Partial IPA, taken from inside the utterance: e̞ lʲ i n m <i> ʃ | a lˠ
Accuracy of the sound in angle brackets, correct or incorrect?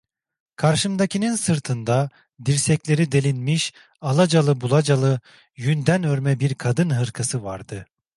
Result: correct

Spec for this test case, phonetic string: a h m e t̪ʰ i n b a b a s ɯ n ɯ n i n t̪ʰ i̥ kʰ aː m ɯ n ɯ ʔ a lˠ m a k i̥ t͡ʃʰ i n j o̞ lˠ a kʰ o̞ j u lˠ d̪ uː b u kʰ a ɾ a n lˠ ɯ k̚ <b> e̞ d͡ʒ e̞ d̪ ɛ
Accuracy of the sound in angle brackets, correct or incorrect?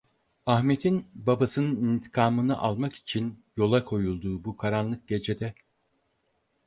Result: incorrect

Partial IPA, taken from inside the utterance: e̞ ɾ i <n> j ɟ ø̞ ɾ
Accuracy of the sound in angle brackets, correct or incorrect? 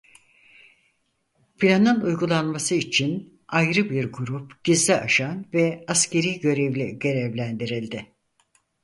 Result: incorrect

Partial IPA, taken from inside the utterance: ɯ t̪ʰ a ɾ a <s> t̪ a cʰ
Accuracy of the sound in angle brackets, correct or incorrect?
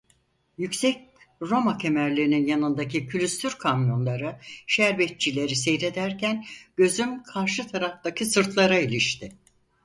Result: incorrect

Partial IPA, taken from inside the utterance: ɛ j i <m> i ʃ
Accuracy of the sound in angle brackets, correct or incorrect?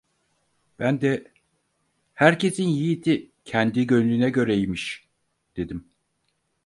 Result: correct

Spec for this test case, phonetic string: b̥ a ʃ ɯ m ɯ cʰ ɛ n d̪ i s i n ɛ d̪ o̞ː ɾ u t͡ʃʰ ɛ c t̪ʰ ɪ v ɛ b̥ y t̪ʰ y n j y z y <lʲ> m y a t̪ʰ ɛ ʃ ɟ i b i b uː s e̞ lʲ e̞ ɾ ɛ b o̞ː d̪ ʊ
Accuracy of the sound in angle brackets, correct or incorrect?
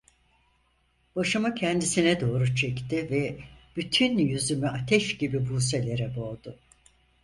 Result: incorrect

